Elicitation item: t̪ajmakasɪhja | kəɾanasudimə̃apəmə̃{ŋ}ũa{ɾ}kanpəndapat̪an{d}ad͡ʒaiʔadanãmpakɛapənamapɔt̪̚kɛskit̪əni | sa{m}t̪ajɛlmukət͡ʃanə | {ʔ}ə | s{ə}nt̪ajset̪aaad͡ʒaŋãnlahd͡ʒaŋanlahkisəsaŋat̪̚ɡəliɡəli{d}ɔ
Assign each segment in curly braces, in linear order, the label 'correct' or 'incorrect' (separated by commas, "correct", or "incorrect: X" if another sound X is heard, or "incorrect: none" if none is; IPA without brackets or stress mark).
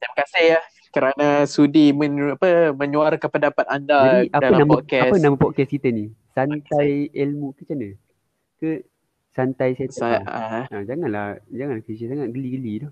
incorrect: ɲ, correct, correct, incorrect: n, incorrect: k, incorrect: a, correct